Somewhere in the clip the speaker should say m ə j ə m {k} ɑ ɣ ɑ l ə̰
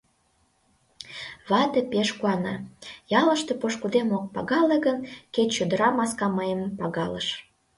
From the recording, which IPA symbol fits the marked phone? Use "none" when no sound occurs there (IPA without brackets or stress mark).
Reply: p